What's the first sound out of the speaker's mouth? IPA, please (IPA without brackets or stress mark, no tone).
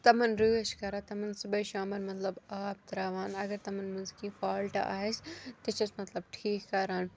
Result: t̪